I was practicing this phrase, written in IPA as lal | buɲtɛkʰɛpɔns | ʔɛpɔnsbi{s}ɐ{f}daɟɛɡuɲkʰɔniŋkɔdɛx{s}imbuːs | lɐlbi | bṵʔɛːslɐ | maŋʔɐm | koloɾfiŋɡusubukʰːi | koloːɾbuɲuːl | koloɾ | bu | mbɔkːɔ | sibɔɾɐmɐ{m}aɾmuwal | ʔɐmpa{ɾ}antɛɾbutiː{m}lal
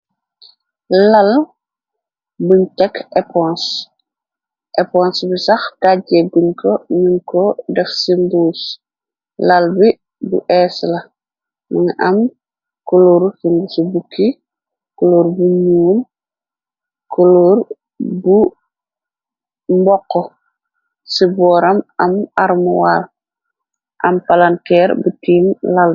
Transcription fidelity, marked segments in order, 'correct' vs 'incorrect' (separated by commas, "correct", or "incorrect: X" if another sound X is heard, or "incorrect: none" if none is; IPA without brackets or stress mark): correct, incorrect: x, correct, correct, incorrect: l, correct